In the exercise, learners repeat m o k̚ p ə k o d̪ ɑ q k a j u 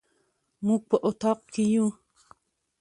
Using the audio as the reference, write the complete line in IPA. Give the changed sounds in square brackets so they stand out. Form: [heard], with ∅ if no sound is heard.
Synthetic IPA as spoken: m [u] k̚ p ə [ʔ] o [t̪] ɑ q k [i] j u